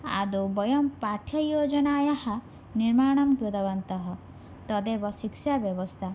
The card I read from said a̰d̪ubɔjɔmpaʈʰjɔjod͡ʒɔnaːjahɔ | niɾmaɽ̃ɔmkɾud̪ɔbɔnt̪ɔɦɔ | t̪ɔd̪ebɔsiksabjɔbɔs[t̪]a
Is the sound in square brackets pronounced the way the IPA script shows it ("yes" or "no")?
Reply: no